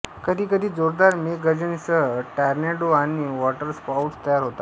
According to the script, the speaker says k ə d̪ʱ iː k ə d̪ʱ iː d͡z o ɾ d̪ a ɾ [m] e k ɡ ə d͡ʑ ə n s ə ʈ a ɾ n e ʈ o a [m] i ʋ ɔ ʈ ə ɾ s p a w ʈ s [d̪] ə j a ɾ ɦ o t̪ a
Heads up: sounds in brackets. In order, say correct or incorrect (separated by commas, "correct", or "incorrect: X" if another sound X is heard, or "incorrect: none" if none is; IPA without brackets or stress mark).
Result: correct, incorrect: n, incorrect: t̪